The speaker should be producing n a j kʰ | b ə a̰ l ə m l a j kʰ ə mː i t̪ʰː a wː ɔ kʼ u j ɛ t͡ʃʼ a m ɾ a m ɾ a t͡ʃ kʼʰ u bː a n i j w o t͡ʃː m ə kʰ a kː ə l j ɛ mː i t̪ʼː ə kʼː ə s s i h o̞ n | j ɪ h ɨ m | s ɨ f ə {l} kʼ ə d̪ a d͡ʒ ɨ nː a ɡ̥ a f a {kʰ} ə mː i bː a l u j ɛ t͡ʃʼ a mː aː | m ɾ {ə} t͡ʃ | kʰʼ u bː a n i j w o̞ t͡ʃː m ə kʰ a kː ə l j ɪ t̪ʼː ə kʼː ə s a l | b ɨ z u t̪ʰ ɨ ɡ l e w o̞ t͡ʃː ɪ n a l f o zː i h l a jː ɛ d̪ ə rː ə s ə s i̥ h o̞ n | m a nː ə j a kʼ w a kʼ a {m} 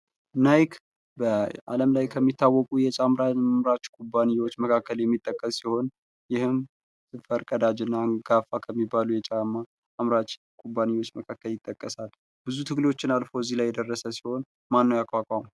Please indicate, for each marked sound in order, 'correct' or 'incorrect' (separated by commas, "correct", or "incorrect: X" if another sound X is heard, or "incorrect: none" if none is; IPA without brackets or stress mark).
incorrect: ɾ, correct, incorrect: a, correct